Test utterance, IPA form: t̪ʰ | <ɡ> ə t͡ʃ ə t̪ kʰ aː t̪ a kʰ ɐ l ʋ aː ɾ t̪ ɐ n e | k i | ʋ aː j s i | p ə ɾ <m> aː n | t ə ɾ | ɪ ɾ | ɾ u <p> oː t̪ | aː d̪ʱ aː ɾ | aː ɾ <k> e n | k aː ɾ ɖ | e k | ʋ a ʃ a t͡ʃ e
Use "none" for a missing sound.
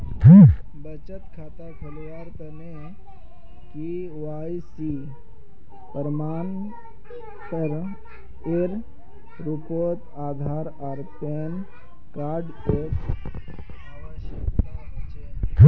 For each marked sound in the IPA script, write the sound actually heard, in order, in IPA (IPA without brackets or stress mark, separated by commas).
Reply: b, m, p, p